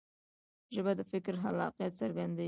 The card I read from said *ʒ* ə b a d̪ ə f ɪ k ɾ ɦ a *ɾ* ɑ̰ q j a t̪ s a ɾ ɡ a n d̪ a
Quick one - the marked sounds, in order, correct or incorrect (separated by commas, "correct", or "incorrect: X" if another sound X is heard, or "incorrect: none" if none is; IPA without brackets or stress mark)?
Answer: correct, incorrect: l